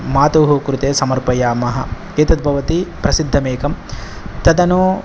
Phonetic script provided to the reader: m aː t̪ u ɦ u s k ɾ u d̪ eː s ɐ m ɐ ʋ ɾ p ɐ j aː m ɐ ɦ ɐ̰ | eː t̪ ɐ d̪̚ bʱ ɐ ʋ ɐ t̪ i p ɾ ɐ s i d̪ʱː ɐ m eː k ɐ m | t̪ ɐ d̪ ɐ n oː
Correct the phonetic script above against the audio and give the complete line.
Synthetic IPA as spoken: m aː t̪ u ɦ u k ɾ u t̪ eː s ɐ m ɐ ɾ p ɐ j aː m ɐ ɦ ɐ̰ | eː t̪ ɐ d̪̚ bʱ ɐ ʋ ɐ t̪ i p ɾ ɐ s i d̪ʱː ɐ m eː k ɐ m | t̪ ɐ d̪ ɐ n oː